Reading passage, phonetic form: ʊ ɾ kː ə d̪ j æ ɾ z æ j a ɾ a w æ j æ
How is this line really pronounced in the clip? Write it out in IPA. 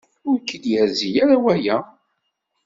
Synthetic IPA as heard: ʊ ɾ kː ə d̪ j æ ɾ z i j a ɾ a w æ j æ